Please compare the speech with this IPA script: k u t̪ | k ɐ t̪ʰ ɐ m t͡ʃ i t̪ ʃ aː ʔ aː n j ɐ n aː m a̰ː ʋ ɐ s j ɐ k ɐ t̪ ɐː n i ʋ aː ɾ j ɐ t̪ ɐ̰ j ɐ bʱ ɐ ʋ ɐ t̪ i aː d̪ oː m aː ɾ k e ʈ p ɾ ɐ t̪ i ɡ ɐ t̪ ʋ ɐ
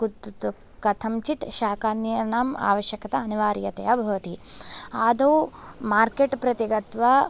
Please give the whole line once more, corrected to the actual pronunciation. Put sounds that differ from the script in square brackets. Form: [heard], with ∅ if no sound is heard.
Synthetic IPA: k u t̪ | k ɐ t̪ʰ ɐ m t͡ʃ i t̪ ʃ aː [k] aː n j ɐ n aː m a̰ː ʋ ɐ [ʃ] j ɐ k ɐ t̪ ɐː n i ʋ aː ɾ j ɐ t̪ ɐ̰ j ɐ bʱ ɐ ʋ ɐ t̪ i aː d̪ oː m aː ɾ k e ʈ p ɾ ɐ t̪ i ɡ ɐ t̪ ʋ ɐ

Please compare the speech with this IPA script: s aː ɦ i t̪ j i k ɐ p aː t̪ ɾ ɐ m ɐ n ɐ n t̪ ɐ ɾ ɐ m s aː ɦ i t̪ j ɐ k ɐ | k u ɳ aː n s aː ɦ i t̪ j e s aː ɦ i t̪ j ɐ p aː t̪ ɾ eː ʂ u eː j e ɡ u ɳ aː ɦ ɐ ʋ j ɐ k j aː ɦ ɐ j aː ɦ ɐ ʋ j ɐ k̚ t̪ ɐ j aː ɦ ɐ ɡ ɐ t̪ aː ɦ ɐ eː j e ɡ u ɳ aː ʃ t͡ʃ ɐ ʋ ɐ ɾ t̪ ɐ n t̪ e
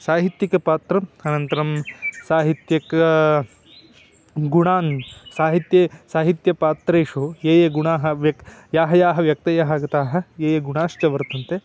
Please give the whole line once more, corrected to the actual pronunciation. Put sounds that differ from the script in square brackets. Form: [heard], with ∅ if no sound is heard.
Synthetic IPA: s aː ɦ i t̪ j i k ɐ p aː t̪ ɾ ɐ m ɐ n ɐ n t̪ ɐ ɾ ɐ m s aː ɦ i t̪ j ɐ k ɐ | [ɡ] u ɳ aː n s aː ɦ i t̪ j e s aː ɦ i t̪ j ɐ p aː t̪ ɾ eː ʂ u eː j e ɡ u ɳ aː ɦ ɐ ʋ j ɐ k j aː ɦ ɐ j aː ɦ ɐ ʋ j ɐ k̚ t̪ ɐ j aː ɦ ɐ ɡ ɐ t̪ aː ɦ ɐ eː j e ɡ u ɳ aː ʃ t͡ʃ ɐ ʋ ɐ ɾ t̪ ɐ n t̪ e

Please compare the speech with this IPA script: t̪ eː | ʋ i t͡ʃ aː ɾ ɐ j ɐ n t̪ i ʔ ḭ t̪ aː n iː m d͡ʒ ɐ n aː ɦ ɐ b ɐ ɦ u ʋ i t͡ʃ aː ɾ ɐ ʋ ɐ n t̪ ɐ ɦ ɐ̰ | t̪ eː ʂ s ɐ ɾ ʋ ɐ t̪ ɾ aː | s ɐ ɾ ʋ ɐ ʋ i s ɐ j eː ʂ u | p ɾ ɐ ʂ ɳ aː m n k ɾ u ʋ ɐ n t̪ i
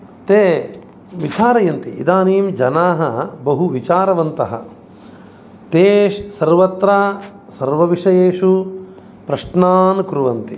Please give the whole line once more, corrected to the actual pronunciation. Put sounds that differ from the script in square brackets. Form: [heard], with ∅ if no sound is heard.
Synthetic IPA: t̪ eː | ʋ i t͡ʃ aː ɾ ɐ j ɐ n t̪ i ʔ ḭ [d̪] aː n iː m d͡ʒ ɐ n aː ɦ ɐ b ɐ ɦ u ʋ i t͡ʃ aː ɾ ɐ ʋ ɐ n t̪ ɐ ɦ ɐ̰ | t̪ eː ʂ s ɐ ɾ ʋ ɐ t̪ ɾ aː | s ɐ ɾ ʋ ɐ ʋ i [ʂ] ɐ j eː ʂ u | p ɾ ɐ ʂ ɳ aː [∅] n k ɾ u ʋ ɐ n t̪ i

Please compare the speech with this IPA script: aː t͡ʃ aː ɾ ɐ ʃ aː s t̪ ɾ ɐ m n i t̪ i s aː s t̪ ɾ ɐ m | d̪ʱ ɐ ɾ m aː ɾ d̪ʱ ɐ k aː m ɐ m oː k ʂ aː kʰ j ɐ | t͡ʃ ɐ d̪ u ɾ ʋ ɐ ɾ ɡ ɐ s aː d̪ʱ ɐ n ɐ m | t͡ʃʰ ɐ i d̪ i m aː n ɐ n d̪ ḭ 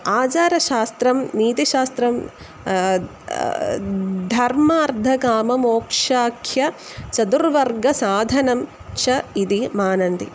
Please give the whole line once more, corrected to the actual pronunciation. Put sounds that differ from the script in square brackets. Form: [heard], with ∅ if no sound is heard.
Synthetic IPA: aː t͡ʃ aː ɾ ɐ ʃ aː s t̪ ɾ ɐ m n [iː] t̪ i [ʃ] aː s t̪ ɾ ɐ m | d̪ʱ ɐ ɾ m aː ɾ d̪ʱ ɐ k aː m ɐ m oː k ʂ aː kʰ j ɐ | t͡ʃ ɐ d̪ u ɾ ʋ ɐ ɾ ɡ ɐ s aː d̪ʱ ɐ n ɐ m | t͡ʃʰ ɐ i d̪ i m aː n ɐ n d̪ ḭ

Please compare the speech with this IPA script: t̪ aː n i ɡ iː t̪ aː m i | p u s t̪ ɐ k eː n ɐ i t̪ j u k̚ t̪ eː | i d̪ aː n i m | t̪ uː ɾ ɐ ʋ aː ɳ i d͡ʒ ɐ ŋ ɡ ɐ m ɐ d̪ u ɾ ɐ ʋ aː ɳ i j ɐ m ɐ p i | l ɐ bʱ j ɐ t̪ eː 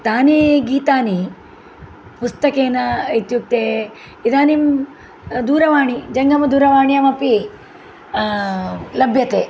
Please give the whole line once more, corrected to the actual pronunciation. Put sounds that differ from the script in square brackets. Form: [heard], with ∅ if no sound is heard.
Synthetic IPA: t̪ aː n i ɡ iː t̪ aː [n] i | p u s t̪ ɐ k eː n ɐ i t̪ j u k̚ t̪ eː | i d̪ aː n i m | [d̪] uː ɾ ɐ ʋ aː ɳ i d͡ʒ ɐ ŋ ɡ ɐ m ɐ d̪ [uː] ɾ ɐ ʋ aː ɳ i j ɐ m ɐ p i | l ɐ bʱ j ɐ t̪ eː

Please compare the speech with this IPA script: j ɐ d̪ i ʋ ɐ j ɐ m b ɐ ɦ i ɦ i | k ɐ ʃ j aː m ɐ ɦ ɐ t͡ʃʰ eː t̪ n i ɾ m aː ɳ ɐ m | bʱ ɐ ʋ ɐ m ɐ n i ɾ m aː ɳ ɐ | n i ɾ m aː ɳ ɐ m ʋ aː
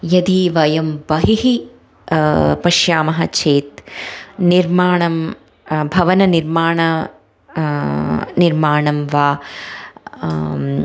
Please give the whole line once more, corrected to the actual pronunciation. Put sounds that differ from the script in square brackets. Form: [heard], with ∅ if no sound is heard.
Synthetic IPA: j ɐ d̪ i ʋ ɐ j ɐ m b ɐ ɦ i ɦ i | [p] ɐ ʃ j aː m ɐ ɦ ɐ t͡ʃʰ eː t̪ n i ɾ m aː ɳ ɐ m | bʱ ɐ ʋ ɐ [n] ɐ n i ɾ m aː ɳ ɐ | n i ɾ m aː ɳ ɐ m ʋ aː

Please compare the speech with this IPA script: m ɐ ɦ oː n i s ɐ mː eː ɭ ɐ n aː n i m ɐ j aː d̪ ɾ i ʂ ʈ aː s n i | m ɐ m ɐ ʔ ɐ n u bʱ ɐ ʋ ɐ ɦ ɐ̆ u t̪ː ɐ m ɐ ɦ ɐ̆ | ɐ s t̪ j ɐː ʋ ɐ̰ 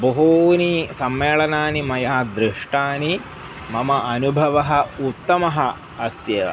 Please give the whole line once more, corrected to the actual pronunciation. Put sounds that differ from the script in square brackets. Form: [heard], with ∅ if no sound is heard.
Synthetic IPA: [b] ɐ ɦ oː n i s ɐ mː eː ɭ ɐ n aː n i m ɐ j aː d̪ ɾ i ʂ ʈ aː [∅] n i | m ɐ m ɐ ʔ ɐ n u bʱ ɐ ʋ ɐ ɦ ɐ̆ u t̪ː ɐ m ɐ ɦ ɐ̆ | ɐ s t̪ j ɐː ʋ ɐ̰

